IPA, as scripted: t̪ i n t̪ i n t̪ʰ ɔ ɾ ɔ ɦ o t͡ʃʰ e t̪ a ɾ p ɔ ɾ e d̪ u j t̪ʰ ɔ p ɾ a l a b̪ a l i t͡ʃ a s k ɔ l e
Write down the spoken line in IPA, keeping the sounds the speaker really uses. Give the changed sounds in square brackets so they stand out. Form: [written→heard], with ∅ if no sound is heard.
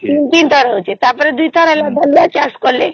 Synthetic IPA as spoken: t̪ i n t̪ i n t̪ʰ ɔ ɾ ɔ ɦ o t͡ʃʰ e t̪ a ɾ p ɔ ɾ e d̪ u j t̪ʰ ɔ [p→∅] ɾ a l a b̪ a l [i→a] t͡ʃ a s k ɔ l e